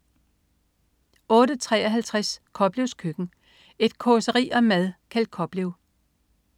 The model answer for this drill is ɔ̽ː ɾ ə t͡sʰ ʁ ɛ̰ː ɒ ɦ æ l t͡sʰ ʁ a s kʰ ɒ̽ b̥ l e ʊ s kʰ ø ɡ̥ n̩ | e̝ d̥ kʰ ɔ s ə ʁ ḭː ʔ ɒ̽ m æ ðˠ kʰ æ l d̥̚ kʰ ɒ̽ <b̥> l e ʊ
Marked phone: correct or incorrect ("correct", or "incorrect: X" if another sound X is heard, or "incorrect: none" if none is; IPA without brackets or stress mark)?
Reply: correct